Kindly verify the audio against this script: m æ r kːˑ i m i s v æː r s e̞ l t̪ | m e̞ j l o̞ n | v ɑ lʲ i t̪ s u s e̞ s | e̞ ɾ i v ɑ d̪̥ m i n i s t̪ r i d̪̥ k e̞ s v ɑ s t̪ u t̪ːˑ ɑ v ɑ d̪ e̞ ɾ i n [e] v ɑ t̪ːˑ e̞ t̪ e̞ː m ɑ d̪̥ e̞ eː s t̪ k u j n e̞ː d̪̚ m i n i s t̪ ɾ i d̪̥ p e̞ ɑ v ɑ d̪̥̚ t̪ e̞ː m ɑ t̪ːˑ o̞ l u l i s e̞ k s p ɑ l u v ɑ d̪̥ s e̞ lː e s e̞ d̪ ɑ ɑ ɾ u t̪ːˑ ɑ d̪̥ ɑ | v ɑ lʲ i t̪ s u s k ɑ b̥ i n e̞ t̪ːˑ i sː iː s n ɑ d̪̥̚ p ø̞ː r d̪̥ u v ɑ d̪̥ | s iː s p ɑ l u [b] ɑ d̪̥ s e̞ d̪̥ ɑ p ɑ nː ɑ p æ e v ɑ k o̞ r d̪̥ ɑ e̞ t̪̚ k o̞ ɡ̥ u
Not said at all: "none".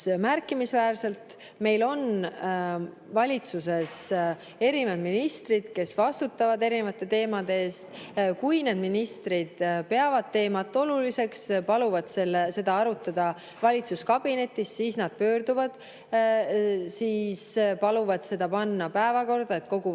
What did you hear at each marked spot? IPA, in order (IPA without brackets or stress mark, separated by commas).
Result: e, v